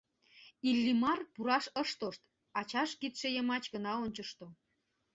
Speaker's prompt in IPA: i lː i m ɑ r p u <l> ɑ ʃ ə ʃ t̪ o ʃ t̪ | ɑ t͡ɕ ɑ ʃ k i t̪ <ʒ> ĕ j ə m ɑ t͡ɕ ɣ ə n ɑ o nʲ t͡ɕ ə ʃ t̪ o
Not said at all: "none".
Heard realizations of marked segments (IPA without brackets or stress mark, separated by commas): ɾ, ʃ